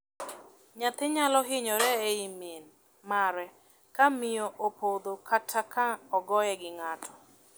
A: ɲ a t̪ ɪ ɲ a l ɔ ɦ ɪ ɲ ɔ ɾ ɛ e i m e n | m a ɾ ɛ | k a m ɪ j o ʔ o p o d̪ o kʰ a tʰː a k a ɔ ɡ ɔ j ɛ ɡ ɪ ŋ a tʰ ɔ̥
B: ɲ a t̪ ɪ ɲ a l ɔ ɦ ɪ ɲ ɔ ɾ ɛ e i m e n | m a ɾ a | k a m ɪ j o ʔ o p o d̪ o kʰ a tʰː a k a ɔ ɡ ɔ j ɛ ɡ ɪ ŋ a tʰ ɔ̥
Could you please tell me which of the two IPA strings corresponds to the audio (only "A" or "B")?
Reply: A